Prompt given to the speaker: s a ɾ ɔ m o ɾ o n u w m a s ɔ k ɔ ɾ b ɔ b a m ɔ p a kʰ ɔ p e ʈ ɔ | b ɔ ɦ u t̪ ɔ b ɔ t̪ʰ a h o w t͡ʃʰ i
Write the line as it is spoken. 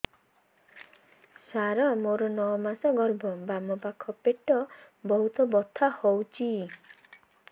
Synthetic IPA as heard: s a ɾ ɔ m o ɾ ɔ n ɔ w m a s ɔ ɡ ɔ ɾ b ɔ b a m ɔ p a kʰ ɔ p e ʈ ɔ | b ɔ ɦ u t̪ ɔ b ɔ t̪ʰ a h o w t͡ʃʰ i